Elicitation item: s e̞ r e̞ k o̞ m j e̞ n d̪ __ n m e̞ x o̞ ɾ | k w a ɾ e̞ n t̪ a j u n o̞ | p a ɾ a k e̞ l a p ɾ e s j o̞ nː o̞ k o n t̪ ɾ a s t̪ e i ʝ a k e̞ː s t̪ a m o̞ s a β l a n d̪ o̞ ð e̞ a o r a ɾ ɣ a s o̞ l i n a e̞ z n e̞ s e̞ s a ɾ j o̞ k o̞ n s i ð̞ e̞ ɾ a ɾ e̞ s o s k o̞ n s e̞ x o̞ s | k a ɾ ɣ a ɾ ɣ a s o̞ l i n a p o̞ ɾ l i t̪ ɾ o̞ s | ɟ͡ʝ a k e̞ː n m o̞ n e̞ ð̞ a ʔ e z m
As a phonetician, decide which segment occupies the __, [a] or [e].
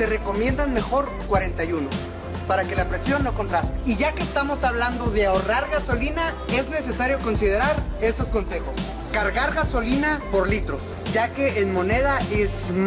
a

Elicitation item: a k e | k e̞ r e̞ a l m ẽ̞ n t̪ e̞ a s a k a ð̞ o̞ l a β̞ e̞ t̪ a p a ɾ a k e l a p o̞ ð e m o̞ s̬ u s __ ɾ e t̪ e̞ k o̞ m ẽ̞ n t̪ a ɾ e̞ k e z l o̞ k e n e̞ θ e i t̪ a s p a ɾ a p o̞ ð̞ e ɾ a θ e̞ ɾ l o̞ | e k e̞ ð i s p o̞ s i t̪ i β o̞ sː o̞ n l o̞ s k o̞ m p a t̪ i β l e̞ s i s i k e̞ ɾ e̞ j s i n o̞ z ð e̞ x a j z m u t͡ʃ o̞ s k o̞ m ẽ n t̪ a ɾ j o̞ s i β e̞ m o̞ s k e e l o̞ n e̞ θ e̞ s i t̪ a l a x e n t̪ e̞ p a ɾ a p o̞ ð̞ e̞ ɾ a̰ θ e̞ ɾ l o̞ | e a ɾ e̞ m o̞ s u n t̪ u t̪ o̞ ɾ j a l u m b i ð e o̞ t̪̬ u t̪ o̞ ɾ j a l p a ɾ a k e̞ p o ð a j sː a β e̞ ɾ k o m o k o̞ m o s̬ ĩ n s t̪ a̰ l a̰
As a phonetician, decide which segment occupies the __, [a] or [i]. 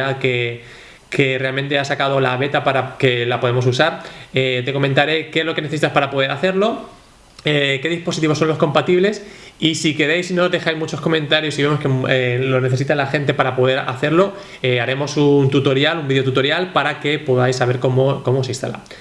a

